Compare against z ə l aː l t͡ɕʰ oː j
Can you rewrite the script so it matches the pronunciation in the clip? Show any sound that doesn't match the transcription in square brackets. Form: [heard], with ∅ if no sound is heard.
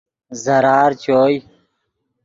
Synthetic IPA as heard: z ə [ɾ] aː [ɾ] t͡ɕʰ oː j